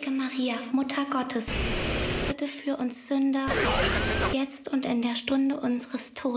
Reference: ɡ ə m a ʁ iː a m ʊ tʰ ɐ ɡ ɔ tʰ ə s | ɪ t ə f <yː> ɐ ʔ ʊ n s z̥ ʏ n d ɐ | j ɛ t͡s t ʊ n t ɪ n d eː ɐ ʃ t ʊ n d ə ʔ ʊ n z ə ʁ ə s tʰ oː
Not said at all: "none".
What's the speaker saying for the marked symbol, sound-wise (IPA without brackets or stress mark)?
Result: yː